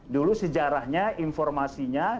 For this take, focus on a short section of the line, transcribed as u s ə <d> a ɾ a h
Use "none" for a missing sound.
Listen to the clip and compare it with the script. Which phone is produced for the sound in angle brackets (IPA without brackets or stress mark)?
d͡ʒ